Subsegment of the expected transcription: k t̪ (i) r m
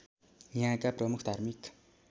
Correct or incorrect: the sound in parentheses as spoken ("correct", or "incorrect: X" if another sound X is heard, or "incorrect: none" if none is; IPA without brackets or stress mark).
incorrect: a